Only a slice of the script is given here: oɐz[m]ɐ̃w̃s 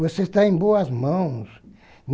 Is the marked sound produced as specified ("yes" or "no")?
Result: yes